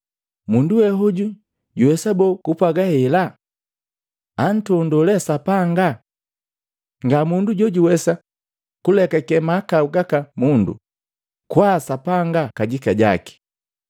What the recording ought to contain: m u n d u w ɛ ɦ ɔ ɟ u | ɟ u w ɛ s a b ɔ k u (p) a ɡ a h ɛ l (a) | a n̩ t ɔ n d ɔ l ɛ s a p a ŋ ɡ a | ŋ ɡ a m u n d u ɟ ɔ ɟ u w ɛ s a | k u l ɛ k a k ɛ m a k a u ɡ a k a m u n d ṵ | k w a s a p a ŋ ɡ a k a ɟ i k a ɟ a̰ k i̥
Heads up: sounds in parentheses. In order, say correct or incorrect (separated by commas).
correct, correct